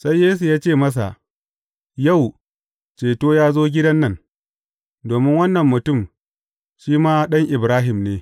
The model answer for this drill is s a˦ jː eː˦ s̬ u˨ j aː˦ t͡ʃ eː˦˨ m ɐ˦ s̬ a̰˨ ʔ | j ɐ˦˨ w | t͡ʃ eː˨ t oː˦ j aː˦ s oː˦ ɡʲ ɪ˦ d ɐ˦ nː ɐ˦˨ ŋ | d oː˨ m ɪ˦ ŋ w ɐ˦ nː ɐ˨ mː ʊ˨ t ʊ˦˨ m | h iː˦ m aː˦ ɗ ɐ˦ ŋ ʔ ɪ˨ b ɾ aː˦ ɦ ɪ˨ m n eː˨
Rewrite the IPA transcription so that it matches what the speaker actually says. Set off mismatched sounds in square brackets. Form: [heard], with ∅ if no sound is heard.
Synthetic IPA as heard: s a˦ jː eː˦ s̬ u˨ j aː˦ t͡ʃ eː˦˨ m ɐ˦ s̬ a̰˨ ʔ | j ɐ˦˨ w | t͡ʃ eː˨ t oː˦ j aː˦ [z] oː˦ ɡʲ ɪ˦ d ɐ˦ nː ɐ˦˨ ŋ | d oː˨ m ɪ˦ ŋ w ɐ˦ nː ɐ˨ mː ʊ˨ t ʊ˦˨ m | [ʃ] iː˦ m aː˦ ɗ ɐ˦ ŋ ʔ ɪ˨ b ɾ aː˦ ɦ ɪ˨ m n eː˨

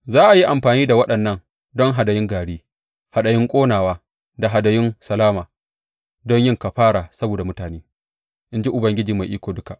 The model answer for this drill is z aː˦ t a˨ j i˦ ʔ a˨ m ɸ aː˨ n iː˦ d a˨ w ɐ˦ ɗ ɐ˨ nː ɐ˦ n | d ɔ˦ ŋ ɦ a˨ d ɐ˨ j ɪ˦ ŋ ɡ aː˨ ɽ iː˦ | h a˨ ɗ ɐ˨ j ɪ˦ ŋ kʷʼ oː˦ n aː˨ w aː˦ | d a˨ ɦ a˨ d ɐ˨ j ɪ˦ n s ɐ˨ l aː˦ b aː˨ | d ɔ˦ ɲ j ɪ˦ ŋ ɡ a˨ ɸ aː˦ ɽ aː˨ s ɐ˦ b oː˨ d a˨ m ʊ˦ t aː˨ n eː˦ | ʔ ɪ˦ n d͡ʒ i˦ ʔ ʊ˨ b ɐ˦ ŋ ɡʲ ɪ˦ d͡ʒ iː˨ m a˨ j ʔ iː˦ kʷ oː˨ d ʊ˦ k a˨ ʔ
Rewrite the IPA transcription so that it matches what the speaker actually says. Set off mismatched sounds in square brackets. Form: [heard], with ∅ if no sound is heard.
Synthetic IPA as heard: z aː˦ [ʔ] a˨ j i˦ ʔ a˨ m ɸ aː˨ n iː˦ d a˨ w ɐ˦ ɗ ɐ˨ nː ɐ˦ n | d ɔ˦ ŋ ɦ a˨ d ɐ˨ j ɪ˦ ŋ ɡ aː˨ ɽ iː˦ | h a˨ ɗ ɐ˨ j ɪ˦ ŋ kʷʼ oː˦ n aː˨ w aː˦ | d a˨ ɦ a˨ d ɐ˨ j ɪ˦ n s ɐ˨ l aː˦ [m] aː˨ | d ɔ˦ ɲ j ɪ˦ ŋ [k] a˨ ɸ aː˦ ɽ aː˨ s ɐ˦ b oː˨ d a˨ m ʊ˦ t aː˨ n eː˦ | ʔ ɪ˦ n d͡ʒ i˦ ʔ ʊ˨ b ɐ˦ ŋ ɡʲ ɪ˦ d͡ʒ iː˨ m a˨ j ʔ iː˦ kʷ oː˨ d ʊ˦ k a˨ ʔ

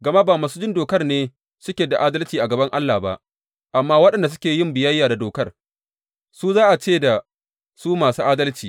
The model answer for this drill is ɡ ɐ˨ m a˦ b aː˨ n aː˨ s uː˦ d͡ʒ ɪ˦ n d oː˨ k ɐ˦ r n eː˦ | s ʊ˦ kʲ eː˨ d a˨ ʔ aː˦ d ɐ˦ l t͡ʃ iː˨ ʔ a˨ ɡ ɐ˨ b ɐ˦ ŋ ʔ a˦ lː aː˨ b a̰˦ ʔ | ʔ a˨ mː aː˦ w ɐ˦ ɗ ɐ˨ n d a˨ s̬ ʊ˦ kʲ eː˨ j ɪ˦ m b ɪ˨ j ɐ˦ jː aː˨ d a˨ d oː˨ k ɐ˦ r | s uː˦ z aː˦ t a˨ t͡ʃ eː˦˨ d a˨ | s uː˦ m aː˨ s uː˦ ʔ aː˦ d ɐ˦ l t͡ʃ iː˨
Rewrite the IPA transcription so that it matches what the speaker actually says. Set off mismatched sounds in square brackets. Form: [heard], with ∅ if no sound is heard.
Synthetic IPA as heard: ɡ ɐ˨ m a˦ b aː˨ [m] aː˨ s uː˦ d͡ʒ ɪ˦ n d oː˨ k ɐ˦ r n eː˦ | s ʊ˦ kʲ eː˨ d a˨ ʔ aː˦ d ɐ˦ l t͡ʃ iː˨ ʔ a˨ ɡ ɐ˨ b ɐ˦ ŋ ʔ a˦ lː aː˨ b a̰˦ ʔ | ʔ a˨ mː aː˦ w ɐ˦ ɗ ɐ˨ n d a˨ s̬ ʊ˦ kʲ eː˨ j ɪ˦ m b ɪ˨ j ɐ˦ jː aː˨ d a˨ d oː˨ k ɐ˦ r | s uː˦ z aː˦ [ʔ] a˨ t͡ʃ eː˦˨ d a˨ | s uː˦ m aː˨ s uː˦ ʔ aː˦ d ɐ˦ l t͡ʃ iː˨

